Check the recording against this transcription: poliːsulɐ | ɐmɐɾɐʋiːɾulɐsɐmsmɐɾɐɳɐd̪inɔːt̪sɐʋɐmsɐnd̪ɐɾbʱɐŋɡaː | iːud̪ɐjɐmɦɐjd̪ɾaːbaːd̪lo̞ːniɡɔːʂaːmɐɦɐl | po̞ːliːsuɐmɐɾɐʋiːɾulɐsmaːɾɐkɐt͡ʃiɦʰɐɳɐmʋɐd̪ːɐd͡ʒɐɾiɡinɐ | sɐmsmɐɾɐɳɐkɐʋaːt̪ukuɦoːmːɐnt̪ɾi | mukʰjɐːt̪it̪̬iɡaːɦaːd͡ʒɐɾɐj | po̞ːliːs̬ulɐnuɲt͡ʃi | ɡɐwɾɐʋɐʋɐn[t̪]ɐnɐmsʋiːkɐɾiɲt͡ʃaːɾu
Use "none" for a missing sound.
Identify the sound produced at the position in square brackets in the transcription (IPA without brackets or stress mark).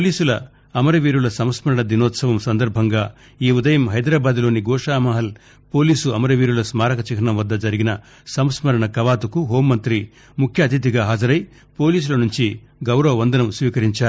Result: d̪